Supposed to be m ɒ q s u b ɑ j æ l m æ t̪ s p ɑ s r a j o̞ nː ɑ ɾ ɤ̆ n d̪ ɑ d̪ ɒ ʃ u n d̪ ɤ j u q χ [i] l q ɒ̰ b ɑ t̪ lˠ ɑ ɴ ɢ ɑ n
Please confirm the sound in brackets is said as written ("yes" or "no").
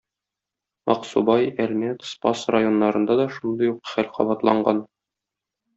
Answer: no